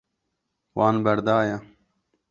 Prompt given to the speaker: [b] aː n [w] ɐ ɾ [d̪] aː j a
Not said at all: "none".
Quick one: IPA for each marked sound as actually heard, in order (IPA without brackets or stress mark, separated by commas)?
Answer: w, b, d̪